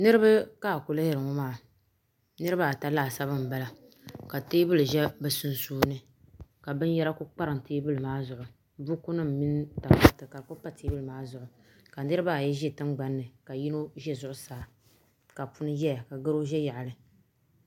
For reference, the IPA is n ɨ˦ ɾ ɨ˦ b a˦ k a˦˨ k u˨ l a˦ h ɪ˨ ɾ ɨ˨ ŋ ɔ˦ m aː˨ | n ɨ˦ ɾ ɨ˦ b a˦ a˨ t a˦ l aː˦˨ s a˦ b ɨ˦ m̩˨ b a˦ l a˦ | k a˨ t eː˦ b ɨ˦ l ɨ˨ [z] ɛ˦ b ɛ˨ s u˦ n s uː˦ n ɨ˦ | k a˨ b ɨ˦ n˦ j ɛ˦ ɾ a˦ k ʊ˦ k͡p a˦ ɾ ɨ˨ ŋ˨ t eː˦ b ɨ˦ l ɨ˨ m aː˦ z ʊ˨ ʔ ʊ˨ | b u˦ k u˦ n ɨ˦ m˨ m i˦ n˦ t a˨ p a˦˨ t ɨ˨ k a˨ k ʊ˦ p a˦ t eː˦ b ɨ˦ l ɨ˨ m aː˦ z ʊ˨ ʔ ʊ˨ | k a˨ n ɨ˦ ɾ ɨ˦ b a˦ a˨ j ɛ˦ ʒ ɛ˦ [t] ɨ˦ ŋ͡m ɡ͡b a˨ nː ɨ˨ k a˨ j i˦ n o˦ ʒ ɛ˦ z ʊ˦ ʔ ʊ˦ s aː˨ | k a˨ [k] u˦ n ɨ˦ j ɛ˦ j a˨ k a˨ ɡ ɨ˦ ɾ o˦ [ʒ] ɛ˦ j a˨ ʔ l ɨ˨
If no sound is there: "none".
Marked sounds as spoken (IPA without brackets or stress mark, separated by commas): ʒ, t, p, ʒ